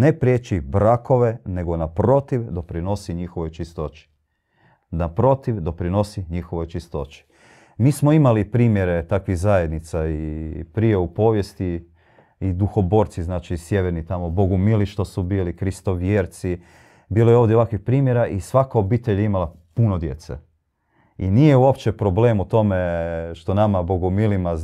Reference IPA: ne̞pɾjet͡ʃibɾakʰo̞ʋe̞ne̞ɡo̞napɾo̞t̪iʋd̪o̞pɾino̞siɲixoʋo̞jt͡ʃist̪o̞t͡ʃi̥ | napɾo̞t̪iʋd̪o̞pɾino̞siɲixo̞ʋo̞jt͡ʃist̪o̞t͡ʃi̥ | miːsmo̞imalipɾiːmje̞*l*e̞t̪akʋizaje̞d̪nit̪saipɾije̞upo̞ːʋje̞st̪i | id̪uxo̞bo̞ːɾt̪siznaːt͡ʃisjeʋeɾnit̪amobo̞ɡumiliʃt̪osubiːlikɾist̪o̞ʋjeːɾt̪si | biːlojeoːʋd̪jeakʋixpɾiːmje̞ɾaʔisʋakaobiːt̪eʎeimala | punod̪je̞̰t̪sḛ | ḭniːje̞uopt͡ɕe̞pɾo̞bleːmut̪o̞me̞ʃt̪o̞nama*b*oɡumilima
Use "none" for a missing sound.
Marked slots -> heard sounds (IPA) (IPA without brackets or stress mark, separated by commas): ɾ, b